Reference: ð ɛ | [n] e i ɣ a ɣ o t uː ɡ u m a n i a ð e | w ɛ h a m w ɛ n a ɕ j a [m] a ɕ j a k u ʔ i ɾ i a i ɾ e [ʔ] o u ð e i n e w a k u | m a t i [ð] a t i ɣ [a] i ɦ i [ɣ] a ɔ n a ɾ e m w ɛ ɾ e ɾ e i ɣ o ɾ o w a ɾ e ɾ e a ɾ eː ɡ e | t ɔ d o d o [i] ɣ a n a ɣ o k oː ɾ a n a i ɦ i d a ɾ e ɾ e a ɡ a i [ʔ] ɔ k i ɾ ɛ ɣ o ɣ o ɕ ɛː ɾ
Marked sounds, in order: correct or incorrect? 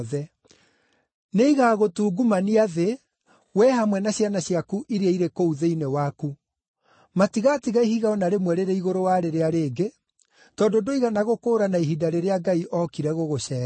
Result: correct, incorrect: n, incorrect: k, incorrect: ɣ, correct, correct, correct, correct

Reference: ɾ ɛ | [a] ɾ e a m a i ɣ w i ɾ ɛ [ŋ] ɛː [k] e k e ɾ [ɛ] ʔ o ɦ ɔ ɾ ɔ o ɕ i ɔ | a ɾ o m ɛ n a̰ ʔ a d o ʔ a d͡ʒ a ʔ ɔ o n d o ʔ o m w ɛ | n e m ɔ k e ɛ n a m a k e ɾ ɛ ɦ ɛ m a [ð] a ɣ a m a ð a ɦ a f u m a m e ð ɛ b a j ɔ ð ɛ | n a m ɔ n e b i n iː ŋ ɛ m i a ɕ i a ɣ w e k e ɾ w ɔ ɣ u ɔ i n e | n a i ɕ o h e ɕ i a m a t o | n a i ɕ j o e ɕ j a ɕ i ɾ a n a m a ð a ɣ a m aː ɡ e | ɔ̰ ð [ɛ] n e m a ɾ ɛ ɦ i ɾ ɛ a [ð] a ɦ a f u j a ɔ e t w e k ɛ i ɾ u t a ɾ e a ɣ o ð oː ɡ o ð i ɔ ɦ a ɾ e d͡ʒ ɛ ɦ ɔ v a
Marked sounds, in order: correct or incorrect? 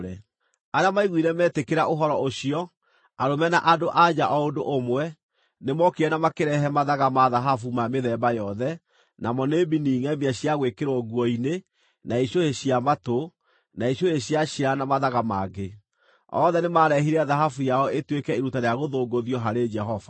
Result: correct, incorrect: m, incorrect: t, incorrect: a, correct, correct, correct

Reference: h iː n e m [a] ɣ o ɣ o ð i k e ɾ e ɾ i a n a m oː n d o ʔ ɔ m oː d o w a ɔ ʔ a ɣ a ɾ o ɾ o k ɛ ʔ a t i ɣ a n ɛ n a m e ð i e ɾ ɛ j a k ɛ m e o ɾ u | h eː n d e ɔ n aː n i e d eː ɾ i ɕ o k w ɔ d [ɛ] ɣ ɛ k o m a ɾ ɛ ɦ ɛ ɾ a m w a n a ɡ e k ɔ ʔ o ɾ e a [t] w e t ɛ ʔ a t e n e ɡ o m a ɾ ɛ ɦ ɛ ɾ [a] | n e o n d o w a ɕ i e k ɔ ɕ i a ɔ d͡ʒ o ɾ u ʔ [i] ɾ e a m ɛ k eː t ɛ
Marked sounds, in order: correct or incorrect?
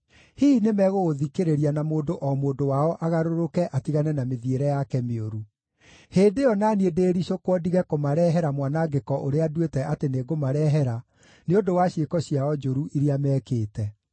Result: incorrect: ɛ, incorrect: i, incorrect: d, correct, correct

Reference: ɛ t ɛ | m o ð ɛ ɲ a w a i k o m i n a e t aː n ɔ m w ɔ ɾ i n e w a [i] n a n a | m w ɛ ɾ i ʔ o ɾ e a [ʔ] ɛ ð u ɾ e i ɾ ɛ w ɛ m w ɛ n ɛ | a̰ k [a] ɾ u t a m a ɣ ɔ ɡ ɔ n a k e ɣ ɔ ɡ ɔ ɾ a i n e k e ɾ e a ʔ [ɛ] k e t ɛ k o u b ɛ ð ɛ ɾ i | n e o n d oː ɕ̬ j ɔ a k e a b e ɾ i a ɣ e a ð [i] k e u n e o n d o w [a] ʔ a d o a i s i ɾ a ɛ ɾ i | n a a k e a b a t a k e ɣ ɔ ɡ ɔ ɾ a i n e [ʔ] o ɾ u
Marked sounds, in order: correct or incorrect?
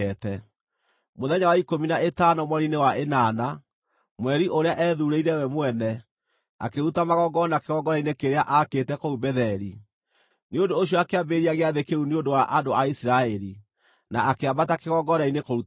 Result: incorrect: e, correct, incorrect: e, incorrect: a, incorrect: e, correct, incorrect: k

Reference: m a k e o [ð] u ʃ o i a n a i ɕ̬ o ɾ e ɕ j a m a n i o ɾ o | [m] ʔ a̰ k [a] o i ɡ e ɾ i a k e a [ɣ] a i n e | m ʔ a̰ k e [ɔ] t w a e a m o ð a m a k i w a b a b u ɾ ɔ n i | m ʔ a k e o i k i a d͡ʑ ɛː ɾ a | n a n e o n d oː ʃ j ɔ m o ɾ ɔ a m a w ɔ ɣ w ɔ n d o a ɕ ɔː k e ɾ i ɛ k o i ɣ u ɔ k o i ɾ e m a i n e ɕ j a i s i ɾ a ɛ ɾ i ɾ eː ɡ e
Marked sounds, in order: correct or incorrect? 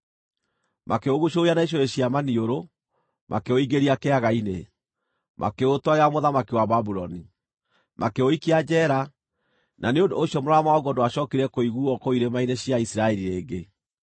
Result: incorrect: ɣ, correct, incorrect: e, correct, incorrect: o

